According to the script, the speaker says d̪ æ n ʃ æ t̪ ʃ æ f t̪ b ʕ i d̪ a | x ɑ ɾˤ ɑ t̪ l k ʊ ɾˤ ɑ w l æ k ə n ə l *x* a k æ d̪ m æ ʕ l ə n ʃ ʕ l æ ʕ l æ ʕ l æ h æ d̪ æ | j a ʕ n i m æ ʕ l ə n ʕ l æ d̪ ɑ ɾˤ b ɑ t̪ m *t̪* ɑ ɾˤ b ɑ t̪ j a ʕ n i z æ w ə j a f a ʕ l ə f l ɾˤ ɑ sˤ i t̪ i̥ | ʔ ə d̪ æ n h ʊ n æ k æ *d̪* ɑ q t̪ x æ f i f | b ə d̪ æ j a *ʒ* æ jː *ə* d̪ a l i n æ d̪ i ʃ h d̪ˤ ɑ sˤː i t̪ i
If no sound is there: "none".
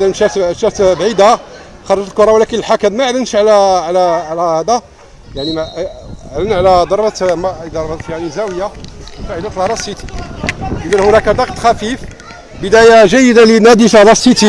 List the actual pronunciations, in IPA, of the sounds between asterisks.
ħ, d̪, d̪, ʒ, ə

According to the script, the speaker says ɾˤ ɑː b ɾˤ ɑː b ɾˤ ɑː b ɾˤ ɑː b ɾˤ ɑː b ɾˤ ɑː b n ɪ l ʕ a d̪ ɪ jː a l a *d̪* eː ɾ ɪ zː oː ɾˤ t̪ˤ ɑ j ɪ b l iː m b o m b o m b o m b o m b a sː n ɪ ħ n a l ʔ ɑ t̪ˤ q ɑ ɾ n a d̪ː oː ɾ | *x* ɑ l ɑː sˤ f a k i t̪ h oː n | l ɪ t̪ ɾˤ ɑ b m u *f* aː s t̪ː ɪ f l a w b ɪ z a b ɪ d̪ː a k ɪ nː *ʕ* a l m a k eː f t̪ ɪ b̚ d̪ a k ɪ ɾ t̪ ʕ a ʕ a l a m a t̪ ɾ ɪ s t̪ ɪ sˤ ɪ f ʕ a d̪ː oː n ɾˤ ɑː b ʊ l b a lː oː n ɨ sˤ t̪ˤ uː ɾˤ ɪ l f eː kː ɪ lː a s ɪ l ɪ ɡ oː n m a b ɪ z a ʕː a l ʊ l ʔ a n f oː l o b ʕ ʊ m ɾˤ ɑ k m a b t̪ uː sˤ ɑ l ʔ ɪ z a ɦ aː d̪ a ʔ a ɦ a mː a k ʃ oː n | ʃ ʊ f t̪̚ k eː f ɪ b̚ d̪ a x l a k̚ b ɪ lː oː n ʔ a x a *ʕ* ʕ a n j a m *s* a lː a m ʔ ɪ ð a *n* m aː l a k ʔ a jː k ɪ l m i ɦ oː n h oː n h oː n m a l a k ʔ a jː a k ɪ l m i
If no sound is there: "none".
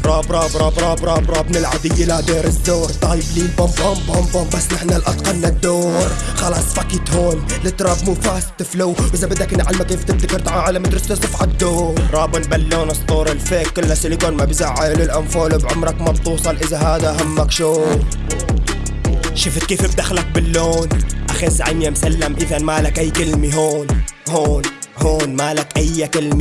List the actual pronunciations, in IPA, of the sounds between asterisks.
d̪, x, f, ʕ, z, s, n

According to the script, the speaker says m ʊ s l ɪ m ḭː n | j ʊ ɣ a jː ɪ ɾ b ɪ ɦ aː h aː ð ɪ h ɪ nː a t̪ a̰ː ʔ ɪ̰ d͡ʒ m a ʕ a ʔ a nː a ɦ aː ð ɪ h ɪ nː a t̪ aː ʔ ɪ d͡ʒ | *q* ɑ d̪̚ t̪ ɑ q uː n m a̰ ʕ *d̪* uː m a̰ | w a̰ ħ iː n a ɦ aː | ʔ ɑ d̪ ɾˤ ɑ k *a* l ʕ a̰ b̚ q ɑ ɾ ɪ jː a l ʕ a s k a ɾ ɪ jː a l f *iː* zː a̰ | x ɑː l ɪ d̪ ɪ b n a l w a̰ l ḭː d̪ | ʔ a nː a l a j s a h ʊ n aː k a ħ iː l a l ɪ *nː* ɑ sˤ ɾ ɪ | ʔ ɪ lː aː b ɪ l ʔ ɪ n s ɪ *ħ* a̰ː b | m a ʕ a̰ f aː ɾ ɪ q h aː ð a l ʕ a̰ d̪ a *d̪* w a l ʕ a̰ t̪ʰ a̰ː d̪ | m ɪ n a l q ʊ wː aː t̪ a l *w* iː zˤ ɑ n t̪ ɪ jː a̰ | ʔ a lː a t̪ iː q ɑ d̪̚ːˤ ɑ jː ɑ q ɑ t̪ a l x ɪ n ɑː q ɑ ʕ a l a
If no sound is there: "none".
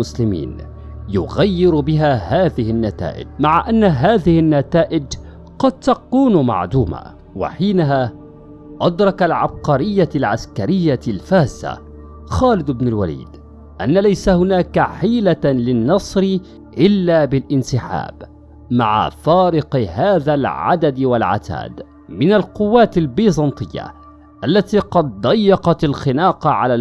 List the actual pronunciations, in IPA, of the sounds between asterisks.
q, d̪, a, aː, nː, ħ, d̪, b

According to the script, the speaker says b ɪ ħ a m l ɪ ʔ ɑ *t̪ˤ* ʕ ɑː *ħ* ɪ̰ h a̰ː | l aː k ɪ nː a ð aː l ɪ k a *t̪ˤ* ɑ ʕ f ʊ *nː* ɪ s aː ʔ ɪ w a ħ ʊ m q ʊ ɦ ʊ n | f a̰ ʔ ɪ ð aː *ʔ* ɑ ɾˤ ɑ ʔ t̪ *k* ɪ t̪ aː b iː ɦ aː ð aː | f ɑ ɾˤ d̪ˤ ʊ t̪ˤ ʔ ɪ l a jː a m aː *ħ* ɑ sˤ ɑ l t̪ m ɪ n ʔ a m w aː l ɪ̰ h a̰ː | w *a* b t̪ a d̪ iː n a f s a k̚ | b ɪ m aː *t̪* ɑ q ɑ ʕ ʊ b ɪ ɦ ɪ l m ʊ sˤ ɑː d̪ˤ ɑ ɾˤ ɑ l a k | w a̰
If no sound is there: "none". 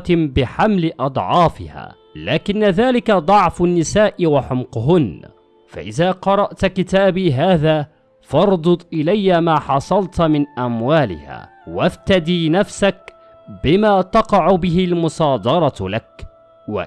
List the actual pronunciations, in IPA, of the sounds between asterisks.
d̪ˤ, f, d̪ˤ, nː, q, k, ħ, a, t̪

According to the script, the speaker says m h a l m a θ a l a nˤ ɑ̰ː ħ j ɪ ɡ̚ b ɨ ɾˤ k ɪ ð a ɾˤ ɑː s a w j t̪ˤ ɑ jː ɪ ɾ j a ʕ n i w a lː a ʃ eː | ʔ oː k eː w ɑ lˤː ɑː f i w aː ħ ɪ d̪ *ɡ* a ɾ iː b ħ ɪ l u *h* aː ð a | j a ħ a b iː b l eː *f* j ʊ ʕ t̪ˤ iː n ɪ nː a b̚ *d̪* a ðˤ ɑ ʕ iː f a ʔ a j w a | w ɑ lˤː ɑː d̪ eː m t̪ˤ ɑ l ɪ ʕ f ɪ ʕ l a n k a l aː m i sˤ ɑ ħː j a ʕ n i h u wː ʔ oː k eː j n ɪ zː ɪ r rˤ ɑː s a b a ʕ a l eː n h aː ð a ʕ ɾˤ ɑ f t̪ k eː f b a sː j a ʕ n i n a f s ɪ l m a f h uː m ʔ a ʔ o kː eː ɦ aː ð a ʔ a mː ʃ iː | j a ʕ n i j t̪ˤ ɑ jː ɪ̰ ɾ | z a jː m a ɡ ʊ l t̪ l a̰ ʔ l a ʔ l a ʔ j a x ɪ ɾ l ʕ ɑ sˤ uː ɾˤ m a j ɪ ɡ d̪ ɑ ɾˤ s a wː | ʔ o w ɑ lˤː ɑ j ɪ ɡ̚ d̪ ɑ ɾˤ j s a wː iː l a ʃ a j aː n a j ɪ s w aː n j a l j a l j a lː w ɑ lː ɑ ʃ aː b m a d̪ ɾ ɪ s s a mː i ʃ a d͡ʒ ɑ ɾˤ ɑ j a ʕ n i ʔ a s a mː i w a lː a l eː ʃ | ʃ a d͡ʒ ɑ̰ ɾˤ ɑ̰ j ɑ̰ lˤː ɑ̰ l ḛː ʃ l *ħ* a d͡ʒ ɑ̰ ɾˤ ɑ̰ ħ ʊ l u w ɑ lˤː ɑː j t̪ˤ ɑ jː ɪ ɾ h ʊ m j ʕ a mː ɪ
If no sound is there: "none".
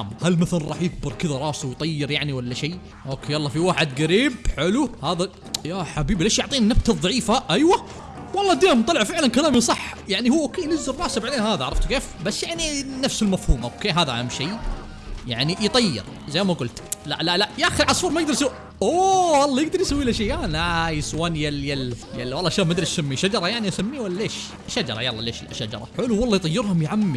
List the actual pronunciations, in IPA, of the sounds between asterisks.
ɡ, h, ʃ, t̪, ʃ

